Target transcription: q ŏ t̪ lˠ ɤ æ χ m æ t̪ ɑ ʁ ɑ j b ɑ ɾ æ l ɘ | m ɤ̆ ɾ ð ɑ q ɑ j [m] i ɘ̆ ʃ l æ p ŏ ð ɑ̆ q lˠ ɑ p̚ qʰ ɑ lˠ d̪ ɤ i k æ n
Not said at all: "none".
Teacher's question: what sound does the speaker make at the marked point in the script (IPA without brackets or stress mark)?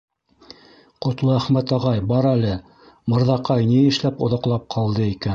n